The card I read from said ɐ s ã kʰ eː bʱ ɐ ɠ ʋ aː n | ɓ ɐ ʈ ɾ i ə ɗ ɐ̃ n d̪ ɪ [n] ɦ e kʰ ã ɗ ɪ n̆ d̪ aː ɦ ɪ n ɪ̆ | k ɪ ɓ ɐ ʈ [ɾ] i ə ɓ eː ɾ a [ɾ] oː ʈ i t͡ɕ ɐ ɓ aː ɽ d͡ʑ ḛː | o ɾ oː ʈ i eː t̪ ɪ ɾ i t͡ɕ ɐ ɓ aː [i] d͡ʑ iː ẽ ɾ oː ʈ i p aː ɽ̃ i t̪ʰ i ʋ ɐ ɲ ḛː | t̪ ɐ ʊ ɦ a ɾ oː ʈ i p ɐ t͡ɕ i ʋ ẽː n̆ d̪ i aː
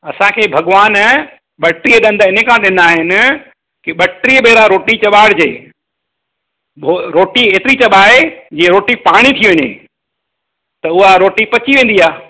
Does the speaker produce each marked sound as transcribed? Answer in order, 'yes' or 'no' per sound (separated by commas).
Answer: yes, yes, yes, no